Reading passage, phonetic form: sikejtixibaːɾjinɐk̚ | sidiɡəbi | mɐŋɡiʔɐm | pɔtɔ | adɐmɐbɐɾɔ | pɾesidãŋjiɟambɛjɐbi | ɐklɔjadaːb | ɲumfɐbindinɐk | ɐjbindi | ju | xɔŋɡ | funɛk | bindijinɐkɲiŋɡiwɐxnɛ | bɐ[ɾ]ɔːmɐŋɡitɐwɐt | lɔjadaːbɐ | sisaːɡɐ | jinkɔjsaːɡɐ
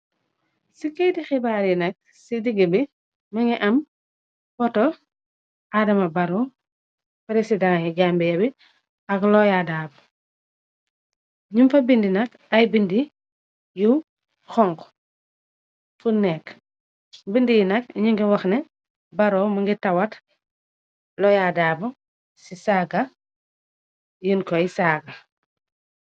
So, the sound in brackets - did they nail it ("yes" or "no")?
yes